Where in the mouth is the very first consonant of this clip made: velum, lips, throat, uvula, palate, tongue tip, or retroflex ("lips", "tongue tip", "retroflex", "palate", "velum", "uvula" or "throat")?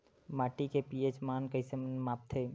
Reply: lips